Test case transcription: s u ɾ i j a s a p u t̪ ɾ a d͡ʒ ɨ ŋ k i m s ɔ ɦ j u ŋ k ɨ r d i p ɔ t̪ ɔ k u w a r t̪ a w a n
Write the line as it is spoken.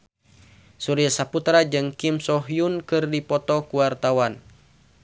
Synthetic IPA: s u ɾ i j a s a p u t̪ ɾ a d͡ʒ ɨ ŋ k i m s ɔ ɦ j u n k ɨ r d i p ɔ t̪ ɔ k u w a r t̪ a w a n

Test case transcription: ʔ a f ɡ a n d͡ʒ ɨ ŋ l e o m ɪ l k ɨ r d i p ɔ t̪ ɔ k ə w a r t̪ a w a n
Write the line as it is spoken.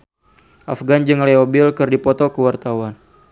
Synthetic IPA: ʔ a f ɡ a n d͡ʒ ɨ ŋ l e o b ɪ l k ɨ r d i p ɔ t̪ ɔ k ə w a r t̪ a w a n

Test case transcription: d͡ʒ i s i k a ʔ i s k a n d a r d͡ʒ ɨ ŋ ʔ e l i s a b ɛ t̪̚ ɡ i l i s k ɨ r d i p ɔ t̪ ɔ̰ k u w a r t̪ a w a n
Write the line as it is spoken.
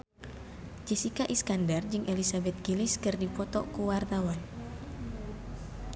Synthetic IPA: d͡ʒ i s i k a ʔ i s k a n d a r d͡ʒ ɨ ŋ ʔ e l i s a b ɛ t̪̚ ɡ i l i s k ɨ r d i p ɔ t̪ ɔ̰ k u w a r t̪ a w a n

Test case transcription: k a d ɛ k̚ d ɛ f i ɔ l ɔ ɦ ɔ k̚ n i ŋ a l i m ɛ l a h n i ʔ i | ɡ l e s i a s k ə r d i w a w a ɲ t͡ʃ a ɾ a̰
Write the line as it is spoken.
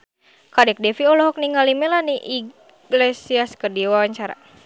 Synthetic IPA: k a d ɛ k̚ d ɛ f i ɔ l ɔ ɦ ɔ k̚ n i ŋ a l i m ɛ l a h n i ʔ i | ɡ l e s i a s k ə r d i w a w a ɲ t͡ʃ a ɾ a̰

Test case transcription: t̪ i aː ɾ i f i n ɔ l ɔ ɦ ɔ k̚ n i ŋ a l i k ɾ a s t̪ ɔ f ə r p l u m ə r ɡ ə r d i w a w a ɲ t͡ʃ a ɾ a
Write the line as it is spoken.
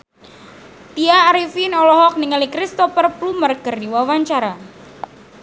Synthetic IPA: t̪ i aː ɾ i f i n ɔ l ɔ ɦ ɔ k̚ n i ŋ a l i k ɾ i s t̪ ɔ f ə r p l u m ə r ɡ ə r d i w a w a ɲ t͡ʃ a ɾ a

